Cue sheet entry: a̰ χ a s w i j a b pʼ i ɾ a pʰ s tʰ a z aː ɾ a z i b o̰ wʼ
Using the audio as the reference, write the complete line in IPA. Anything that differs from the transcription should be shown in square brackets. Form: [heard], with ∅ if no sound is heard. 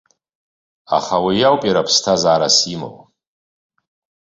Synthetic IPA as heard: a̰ χ a [∅] w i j a [w] pʼ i ɾ a pʰ s tʰ a z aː ɾ a [s] i [m] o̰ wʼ